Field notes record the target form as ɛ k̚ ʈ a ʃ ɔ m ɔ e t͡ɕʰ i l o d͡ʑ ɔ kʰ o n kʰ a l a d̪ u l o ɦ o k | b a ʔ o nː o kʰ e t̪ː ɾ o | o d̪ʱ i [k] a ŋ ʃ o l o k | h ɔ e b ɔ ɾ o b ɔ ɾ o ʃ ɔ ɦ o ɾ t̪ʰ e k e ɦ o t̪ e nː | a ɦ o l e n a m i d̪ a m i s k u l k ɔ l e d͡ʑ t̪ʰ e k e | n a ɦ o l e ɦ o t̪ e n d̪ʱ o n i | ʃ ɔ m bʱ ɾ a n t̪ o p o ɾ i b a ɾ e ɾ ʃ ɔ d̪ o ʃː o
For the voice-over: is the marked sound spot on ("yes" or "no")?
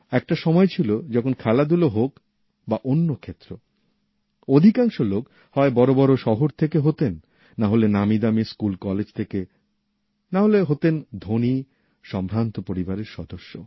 yes